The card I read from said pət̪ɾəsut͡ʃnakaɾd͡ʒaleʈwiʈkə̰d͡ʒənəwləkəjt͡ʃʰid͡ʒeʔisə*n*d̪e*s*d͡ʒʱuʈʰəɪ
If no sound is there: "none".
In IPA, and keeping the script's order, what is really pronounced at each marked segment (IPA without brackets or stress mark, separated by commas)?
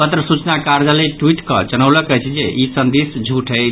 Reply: n, s